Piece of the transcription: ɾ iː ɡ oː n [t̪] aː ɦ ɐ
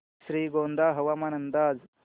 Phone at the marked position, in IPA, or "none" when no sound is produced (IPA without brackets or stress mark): d̪